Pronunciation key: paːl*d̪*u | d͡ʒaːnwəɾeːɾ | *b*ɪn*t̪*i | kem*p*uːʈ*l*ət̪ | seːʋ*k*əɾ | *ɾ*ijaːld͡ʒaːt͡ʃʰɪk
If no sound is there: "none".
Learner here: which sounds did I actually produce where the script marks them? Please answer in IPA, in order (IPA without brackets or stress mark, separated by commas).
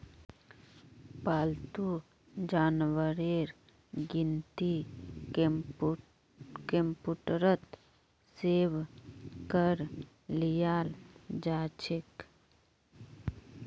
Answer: t̪, ɡ, t̪, p, ɾ, k, l